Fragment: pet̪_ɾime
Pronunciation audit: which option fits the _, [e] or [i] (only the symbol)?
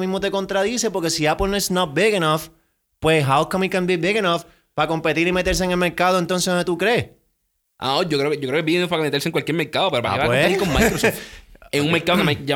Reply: i